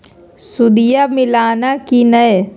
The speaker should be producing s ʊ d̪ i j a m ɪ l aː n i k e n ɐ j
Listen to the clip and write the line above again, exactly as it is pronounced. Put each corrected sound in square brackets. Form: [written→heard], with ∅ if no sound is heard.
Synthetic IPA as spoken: s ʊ d̪ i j a m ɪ l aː n [i→a] k [e→i] n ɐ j